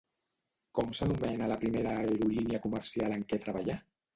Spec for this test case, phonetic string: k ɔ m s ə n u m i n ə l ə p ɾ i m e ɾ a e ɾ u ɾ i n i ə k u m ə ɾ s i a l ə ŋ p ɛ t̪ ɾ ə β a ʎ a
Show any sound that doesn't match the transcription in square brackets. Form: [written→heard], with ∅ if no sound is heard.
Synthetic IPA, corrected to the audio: k ɔ m s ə n u m [i→ɛ] n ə l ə p ɾ i m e ɾ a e ɾ u [ɾ→l] i n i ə k u m ə ɾ s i a l ə ŋ [p→k] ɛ t̪ ɾ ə β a ʎ a